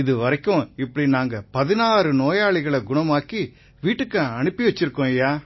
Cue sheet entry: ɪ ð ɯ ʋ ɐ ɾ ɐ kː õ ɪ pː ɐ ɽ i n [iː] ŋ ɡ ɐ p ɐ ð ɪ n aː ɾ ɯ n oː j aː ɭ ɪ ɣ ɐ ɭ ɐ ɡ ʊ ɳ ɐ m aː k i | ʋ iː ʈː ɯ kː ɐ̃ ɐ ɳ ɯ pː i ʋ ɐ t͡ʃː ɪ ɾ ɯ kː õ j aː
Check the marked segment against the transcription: incorrect: aː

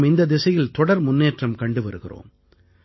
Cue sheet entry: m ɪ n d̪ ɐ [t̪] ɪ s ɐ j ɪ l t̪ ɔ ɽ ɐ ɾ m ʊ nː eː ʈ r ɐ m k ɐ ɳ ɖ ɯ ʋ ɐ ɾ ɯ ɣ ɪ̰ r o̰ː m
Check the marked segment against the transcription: incorrect: d̪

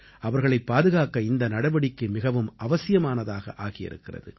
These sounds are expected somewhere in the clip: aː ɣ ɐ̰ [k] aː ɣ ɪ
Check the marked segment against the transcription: incorrect: ʔ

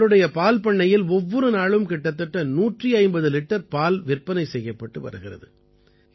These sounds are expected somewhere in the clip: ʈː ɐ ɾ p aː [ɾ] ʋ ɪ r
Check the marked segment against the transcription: incorrect: l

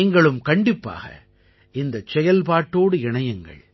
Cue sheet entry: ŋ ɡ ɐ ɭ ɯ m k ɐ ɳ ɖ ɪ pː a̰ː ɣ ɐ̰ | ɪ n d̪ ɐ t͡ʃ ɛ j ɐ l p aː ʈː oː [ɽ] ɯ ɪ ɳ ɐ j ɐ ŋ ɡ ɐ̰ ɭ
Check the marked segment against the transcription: correct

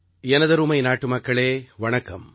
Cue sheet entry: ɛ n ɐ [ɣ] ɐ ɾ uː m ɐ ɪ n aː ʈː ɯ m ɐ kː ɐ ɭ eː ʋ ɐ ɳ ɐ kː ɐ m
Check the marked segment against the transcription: incorrect: ð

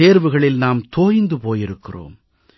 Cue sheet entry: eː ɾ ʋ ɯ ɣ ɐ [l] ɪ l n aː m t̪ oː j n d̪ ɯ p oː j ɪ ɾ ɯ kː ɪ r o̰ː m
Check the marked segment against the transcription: incorrect: ɭ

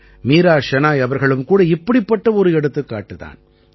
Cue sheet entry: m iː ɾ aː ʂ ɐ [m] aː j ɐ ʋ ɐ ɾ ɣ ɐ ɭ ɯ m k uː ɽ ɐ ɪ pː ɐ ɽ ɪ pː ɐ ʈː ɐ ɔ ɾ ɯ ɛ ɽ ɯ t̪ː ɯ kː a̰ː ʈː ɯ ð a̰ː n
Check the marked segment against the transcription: incorrect: n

